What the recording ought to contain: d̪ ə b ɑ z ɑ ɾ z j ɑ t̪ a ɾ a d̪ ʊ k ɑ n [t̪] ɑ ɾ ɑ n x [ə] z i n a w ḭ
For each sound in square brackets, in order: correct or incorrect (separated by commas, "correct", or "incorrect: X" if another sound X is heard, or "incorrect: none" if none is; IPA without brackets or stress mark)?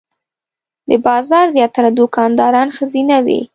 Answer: incorrect: d̪, correct